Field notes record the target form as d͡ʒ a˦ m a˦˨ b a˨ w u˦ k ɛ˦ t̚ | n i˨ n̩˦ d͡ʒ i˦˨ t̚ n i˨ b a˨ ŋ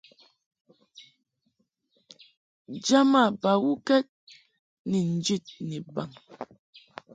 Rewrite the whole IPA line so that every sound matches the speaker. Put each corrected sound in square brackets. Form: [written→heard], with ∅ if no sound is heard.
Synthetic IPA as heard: d͡ʒ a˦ m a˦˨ b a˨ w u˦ k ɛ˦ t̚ | n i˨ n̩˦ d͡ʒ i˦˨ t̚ n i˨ b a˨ ŋ